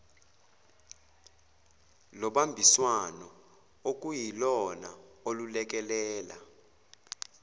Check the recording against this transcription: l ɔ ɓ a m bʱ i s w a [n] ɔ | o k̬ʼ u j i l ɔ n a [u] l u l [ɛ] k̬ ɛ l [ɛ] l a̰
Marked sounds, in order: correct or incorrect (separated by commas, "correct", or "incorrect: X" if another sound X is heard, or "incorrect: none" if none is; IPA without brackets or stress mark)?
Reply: correct, incorrect: o, correct, incorrect: ɛː